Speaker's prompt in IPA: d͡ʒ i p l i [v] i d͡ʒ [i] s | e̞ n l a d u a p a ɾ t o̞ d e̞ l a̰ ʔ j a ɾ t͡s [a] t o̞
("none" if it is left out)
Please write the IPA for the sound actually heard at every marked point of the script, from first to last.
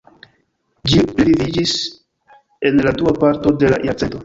v, i, e

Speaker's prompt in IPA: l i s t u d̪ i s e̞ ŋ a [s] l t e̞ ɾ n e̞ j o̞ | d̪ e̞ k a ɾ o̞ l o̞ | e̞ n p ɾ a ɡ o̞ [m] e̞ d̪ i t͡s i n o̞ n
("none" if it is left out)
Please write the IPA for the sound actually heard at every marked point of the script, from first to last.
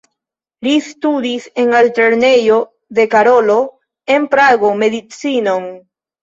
none, m

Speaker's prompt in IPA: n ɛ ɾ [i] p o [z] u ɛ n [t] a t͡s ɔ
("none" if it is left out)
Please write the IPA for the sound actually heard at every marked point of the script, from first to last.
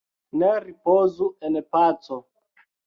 i, z, p

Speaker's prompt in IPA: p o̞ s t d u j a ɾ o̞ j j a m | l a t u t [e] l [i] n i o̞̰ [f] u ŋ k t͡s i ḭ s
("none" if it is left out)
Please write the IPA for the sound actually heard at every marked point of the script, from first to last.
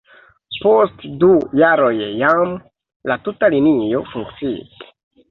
a, i, f

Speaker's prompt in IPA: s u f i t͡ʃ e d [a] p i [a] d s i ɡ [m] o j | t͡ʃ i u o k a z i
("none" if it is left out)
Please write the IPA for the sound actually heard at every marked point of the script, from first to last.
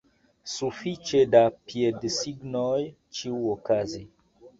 a, e, n

